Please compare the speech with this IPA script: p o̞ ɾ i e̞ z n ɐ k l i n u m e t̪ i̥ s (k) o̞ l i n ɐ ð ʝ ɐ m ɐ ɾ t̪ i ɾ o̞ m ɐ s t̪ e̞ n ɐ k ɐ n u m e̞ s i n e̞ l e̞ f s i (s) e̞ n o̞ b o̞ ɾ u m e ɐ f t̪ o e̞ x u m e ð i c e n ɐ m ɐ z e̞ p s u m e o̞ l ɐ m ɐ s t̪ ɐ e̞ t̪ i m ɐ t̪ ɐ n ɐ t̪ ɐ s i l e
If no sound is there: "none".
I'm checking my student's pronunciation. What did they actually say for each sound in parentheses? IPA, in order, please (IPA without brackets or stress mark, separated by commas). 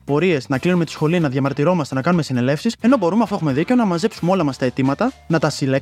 x, s